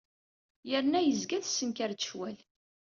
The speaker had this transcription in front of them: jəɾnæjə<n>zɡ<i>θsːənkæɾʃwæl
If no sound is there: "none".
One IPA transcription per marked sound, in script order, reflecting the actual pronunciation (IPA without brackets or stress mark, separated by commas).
none, æ